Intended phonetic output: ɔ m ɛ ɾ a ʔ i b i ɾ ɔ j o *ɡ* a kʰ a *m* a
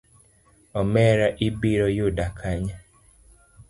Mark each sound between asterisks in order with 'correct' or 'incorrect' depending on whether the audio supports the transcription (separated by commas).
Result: incorrect, incorrect